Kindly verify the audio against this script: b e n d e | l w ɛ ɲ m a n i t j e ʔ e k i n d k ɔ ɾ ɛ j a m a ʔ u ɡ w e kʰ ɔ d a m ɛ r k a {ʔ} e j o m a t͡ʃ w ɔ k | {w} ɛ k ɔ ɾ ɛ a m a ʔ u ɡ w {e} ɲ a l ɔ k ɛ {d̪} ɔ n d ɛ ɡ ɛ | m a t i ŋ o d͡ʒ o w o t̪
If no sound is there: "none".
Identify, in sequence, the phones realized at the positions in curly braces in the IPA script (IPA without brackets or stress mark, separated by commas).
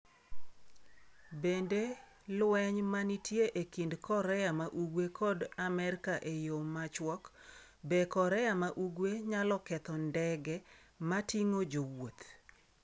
ʔ, b, e, t̪